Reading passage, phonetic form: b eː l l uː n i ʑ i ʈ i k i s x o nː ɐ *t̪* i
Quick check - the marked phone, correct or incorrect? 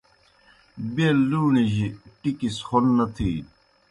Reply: incorrect: t̪ʰ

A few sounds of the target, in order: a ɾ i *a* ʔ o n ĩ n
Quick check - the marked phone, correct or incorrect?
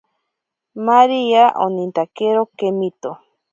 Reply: correct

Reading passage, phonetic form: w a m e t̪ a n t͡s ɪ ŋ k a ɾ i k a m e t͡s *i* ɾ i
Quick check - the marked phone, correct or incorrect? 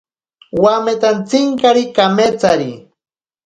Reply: incorrect: a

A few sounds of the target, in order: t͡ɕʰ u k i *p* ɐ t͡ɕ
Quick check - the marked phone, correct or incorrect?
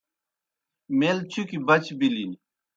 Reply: incorrect: b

